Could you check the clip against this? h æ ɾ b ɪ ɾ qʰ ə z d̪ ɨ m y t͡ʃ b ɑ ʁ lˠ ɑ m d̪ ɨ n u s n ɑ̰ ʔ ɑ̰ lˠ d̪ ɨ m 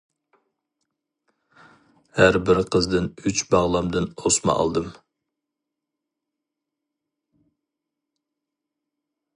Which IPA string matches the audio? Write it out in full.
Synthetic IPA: h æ ɾ b ɪ ɾ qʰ ə z d̪ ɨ n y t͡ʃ b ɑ ʁ lˠ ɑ m d̪ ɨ n o s m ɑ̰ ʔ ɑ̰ lˠ d̪ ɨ m